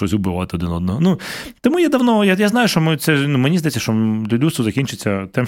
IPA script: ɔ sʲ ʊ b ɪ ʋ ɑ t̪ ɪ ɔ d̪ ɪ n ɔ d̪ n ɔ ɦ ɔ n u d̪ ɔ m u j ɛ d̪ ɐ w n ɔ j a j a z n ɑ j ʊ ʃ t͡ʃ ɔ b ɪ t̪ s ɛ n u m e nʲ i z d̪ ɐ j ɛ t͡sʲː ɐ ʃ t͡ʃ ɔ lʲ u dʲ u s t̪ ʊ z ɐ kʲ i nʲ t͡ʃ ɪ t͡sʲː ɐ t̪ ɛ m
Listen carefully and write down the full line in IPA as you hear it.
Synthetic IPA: ɔ sʲ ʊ b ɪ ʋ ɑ t̪ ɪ ɔ d̪ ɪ n ɔ d̪ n ɔ ɦ ɔ n u t̪ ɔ m u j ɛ d̪ ɐ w n ɔ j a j a z n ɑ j ʊ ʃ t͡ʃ ɔ m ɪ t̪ s ɛ n u m e nʲ i z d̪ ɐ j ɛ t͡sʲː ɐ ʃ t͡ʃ ɔ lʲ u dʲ u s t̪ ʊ z ɐ kʲ i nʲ t͡ʃ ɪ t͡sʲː ɐ t̪ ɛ m